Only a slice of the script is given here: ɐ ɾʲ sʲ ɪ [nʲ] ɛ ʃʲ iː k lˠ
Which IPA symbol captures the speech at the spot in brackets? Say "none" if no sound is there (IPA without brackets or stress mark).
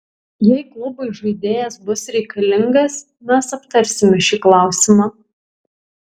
mʲ